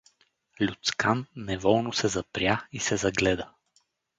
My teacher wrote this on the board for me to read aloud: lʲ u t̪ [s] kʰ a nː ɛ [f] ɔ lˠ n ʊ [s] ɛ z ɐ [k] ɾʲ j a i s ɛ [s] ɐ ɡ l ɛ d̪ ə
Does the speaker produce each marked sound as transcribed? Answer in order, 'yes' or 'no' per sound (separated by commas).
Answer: yes, no, yes, no, no